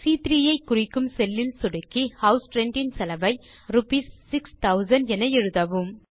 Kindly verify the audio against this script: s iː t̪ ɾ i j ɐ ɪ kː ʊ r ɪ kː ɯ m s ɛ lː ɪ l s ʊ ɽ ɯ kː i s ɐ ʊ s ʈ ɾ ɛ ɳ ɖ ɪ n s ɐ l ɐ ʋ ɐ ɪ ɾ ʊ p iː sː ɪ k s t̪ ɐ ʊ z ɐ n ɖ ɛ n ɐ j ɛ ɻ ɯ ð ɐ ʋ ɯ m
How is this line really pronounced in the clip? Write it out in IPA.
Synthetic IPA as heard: s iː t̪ ɾ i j ɐ ɪ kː ʊ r ɪ kː ɯ m s ɛ lː ɪ l s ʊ ɽ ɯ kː i h ɐ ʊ s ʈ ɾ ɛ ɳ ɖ ɪ n s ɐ l ɐ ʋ ɐ ɪ ɾ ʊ p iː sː ɪ k s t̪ ɐ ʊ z ɐ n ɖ ɛ n ɐ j ɛ ɻ ɯ ð ɐ ʋ ɯ m